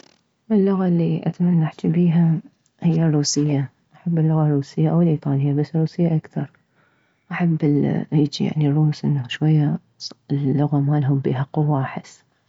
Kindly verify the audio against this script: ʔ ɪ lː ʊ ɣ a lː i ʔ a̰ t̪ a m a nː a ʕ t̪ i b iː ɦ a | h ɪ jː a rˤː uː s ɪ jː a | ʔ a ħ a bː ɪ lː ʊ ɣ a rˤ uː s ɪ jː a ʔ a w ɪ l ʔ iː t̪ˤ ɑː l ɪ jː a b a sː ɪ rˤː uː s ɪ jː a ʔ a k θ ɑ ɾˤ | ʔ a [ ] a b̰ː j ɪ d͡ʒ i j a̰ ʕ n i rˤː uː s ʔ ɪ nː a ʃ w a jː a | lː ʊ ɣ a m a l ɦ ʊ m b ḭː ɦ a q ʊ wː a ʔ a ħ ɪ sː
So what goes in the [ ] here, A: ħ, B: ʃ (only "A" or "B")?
A